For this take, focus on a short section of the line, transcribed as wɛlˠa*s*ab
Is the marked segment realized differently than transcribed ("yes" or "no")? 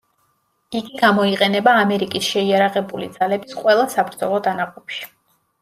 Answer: no